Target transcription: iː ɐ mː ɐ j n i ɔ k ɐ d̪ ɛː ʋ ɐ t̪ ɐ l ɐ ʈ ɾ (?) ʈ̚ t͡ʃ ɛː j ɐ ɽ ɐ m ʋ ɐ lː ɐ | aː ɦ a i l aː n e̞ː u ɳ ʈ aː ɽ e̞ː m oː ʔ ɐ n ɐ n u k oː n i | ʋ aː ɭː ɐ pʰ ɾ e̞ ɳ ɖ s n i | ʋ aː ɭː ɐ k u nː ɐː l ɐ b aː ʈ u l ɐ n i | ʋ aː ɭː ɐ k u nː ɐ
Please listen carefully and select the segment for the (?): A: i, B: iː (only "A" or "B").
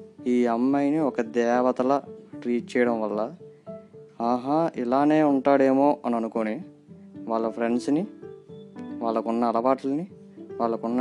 B